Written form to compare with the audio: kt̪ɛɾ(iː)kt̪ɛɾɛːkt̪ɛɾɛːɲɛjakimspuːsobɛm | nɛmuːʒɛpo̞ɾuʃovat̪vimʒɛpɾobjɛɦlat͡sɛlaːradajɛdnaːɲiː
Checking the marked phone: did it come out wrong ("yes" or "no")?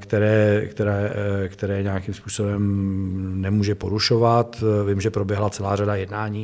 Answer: yes